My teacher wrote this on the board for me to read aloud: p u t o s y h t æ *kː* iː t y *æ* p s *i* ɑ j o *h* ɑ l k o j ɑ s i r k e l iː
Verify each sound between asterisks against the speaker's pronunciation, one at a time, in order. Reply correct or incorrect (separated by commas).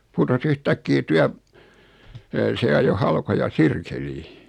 correct, correct, incorrect, correct